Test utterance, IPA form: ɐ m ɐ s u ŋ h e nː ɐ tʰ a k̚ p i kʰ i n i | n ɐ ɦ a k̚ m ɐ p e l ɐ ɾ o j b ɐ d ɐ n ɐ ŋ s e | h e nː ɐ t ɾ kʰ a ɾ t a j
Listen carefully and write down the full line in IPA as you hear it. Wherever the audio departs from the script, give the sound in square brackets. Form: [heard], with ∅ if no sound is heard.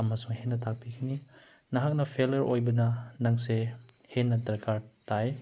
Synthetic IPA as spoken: ɐ m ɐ s u ŋ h e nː ɐ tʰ a k̚ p i kʰ i n i | n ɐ ɦ a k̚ [n] ɐ [pʰ] e l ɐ ɾ o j b ɐ [n] ɐ n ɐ ŋ s e | h e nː ɐ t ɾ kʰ a ɾ t a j